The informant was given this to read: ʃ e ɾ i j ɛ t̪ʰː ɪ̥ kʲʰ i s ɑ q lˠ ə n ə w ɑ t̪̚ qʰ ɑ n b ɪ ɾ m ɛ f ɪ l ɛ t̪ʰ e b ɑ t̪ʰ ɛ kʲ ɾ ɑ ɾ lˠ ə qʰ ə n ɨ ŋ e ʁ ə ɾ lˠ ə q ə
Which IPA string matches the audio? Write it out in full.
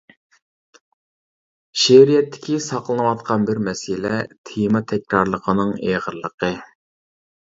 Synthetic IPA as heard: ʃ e ɾ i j ɛ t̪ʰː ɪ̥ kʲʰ i s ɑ q lˠ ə n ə w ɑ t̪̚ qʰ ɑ n b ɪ ɾ m ɛ s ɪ l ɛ t̪ʰ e m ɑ t̪ʰ ɛ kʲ ɾ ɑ ɾ lˠ ə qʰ ə n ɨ ŋ e ʁ ə ɾ lˠ ə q ə